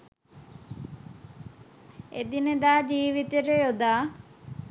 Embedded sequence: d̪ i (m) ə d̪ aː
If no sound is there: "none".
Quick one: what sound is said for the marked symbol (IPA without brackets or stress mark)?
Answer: n